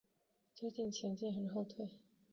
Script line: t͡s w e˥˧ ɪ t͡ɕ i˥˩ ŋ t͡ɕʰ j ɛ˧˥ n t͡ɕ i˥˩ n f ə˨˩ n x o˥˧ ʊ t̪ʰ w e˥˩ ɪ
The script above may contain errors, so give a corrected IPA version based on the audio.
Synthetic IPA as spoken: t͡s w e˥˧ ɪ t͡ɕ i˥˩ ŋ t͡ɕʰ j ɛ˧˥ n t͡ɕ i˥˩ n x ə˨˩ n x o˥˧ ʊ t̪ʰ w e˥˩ ɪ

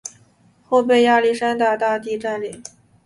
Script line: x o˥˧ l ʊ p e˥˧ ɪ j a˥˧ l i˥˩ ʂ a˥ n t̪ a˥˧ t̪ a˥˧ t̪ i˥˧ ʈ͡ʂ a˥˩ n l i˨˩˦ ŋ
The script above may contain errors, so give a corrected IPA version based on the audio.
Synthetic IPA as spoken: x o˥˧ ʊ p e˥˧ ɪ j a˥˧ l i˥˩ ʂ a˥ n t̪ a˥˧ t̪ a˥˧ t̪ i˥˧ ʈ͡ʂ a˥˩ n l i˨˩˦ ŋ

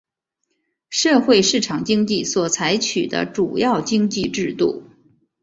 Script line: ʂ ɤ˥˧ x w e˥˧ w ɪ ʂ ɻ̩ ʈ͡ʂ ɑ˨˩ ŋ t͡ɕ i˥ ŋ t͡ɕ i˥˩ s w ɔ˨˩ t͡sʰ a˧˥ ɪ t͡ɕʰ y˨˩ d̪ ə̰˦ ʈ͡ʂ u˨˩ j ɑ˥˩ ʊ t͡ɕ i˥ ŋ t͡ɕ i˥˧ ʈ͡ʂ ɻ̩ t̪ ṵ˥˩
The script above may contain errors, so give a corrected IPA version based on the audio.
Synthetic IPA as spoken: ʂ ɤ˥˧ x w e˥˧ ɪ ʂ ɻ̩ ʈ͡ʂʰ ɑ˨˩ ŋ t͡ɕ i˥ ŋ t͡ɕ i˥˩ s w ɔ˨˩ t͡sʰ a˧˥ ɪ t͡ɕʰ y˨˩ d̪ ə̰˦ ʈ͡ʂ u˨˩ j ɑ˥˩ ʊ t͡ɕ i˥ ŋ t͡ɕ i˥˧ ʈ͡ʂ ɻ̩ t̪ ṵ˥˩

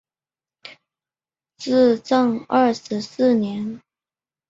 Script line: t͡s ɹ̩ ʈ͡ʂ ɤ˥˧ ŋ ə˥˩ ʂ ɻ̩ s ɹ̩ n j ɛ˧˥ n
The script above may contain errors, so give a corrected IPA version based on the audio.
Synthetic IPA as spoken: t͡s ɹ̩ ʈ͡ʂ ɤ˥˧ ŋ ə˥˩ ʂ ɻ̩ s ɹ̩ n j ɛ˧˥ n

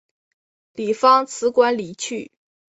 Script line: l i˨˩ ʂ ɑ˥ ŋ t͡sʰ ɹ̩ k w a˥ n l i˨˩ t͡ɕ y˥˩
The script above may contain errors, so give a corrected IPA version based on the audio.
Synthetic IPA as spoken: l i˨˩ f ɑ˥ ŋ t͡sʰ ɹ̩ k w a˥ n l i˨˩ t͡ɕʰ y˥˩

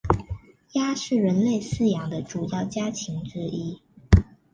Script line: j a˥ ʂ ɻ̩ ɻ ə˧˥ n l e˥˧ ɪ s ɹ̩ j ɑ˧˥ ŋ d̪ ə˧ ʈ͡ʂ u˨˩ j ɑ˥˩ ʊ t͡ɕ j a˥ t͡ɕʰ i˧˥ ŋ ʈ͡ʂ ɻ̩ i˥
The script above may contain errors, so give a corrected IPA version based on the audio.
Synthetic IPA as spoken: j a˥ ʂ ɻ̩ ɻ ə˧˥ n l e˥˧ ɪ s ɹ̩ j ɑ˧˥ ŋ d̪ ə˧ ʈ͡ʂ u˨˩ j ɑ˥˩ ʊ t͡ɕ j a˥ t͡ɕʰ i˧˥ ŋ ʈ͡ʂ ɻ̩ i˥

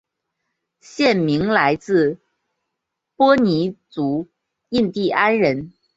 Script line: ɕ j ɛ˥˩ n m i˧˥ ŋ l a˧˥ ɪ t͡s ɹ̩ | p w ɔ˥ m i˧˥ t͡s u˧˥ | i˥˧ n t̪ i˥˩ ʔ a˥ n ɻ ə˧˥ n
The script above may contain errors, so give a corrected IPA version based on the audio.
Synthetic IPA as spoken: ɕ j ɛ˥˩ n m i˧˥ ŋ l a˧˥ ɪ t͡s ɹ̩ | p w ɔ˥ n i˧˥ t͡s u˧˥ | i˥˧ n t̪ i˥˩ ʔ a˥ n ɻ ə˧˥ n

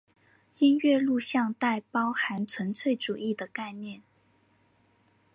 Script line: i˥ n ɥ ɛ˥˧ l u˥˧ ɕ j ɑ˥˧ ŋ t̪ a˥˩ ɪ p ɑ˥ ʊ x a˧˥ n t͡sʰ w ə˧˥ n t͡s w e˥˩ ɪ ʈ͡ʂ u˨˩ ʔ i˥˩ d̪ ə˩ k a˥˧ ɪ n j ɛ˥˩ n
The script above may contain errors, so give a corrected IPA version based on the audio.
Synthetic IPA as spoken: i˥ n ɥ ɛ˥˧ l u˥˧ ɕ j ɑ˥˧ ŋ t̪ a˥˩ ɪ p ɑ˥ ʊ x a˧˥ n t͡sʰ w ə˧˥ n t͡sʰ w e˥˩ ɪ ʈ͡ʂ u˨˩ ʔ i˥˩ d̪ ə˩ k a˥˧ ɪ n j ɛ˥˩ n

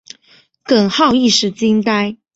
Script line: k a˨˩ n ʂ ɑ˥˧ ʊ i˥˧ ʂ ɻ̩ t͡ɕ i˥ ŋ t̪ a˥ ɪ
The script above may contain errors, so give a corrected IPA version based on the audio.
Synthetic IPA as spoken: k ə˨˩ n x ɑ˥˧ ʊ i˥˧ ʂ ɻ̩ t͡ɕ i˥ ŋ t̪ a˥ ɪ

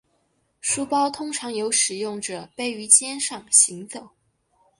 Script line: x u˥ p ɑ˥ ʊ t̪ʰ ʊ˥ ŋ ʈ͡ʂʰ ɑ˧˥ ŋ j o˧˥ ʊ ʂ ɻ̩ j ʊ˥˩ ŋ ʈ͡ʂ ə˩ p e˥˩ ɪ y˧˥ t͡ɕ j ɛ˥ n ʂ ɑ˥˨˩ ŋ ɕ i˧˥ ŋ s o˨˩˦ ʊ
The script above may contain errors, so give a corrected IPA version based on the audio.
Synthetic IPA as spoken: ʂ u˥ p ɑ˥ ʊ t̪ʰ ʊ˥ ŋ ʈ͡ʂʰ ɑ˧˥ ŋ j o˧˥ ʊ ʂ ɻ̩ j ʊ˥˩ ŋ ʈ͡ʂ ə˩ p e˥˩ ɪ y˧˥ t͡ɕ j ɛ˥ n ʂ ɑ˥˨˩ ŋ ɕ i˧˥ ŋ t͡s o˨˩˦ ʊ

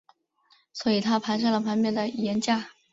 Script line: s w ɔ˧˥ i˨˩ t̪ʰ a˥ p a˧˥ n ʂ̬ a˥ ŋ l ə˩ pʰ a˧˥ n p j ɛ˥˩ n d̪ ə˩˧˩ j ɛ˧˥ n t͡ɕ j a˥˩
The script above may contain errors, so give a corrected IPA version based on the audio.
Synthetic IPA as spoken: s w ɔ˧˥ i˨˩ t̪ʰ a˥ pʰ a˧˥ n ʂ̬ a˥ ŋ l ə˩ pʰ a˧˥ n p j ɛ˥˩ n d̪ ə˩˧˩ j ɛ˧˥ n t͡ɕ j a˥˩

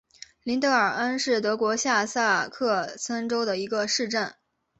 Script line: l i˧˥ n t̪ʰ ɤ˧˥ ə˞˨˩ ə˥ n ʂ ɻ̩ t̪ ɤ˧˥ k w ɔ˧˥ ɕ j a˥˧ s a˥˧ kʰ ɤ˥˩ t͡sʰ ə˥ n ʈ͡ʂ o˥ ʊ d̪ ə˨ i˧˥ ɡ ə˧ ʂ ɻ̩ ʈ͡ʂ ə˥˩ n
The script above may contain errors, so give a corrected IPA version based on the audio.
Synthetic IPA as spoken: l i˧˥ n t̪ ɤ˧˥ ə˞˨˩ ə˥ n ʂ ɻ̩ t̪ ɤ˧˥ k w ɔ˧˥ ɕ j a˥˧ s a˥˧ kʰ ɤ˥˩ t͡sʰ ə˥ n ʈ͡ʂ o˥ ʊ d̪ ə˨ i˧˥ ɡ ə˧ ʂ ɻ̩ ʈ͡ʂ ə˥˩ n

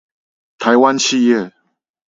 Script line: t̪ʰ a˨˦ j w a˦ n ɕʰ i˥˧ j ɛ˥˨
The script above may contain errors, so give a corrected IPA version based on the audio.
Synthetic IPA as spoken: t̪ʰ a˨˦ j w a˦ n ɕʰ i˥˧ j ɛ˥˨

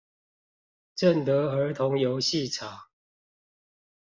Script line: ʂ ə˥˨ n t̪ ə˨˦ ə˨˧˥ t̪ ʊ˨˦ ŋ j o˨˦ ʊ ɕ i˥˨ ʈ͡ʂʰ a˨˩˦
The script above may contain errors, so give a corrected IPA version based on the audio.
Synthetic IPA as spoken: ʈ͡ʂ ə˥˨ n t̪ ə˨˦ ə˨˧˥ t̪ʰ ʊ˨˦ ŋ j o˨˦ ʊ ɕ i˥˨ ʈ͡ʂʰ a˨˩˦

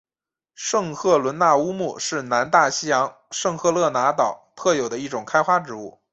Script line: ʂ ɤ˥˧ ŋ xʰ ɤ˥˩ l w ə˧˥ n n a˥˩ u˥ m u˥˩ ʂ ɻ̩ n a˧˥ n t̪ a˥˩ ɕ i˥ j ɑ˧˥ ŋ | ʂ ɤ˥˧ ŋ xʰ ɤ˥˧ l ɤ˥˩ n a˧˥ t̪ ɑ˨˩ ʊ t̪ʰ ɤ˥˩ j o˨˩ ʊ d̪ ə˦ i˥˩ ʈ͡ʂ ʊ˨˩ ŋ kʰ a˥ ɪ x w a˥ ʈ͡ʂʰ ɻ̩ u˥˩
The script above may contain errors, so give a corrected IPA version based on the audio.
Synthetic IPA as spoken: ʂ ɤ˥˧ ŋ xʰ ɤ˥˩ l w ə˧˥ n n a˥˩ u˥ m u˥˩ ʂ ɻ̩ n a˧˥ n t̪ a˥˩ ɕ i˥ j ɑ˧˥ ŋ | ʂ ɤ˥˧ ŋ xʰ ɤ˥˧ l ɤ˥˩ n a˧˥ t̪ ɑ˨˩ ʊ t̪ʰ ɤ˥˩ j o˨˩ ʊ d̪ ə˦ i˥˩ ʈ͡ʂ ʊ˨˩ ŋ kʰ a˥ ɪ x w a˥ ʈ͡ʂ ɻ̩ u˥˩

